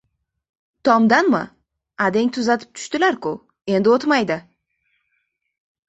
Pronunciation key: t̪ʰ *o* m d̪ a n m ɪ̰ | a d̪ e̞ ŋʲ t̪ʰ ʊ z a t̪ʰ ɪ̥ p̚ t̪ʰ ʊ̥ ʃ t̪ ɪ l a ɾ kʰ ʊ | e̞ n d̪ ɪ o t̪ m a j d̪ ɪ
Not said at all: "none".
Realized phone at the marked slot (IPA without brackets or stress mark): ɒ